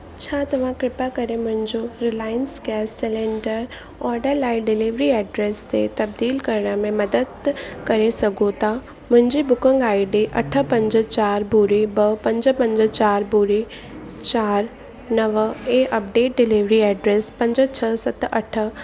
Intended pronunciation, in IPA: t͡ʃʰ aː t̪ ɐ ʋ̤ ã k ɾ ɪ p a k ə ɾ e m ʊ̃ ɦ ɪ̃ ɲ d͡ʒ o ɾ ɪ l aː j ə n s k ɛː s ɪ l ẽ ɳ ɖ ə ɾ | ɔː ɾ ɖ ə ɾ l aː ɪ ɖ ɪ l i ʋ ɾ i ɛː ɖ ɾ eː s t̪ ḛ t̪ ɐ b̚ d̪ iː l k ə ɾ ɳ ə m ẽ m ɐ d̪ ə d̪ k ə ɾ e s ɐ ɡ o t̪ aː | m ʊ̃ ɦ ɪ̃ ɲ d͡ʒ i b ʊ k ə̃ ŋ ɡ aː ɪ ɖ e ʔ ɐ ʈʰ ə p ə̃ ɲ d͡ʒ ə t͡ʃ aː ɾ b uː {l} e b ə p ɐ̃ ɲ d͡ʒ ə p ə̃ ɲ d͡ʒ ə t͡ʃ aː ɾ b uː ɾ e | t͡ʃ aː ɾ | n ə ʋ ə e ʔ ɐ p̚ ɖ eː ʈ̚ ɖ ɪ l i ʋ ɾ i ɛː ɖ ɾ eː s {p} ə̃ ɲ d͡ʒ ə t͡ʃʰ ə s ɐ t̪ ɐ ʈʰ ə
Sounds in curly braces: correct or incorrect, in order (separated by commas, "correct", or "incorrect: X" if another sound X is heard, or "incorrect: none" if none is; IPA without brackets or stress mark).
incorrect: ɾ, correct